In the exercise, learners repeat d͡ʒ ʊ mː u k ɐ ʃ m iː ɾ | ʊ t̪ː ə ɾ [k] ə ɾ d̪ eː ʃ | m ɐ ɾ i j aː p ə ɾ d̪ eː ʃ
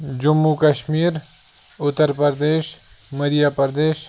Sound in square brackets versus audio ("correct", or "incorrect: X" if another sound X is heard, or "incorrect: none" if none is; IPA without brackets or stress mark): incorrect: p